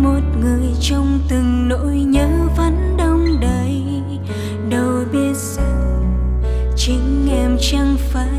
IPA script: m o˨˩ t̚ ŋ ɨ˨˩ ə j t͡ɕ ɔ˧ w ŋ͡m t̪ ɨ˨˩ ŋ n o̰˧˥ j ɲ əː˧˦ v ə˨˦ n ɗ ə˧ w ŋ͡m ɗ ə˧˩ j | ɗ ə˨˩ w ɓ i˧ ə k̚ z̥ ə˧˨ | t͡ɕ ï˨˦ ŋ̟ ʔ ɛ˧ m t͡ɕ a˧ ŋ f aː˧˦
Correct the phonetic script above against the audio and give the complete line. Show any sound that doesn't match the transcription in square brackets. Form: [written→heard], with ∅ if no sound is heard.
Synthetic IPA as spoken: m o˨˩ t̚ ŋ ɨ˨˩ ə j t͡ɕ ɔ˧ w ŋ͡m t̪ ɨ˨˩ ŋ n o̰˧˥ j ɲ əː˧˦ v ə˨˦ n ɗ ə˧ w ŋ͡m ɗ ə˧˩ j | ɗ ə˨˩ w ɓ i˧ ə [k̚→t̚] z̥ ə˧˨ | t͡ɕ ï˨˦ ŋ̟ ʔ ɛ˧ m t͡ɕ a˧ ŋ f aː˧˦